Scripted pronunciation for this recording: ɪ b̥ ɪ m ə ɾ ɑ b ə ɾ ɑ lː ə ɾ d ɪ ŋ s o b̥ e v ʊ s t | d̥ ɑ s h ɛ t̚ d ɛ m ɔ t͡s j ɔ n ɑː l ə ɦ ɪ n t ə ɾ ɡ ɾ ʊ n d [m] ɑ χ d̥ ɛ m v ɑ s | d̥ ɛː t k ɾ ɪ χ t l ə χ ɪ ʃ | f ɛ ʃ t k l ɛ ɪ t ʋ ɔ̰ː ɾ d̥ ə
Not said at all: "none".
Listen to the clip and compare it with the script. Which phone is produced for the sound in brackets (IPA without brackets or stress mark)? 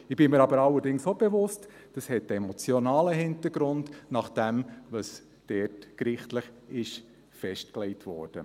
n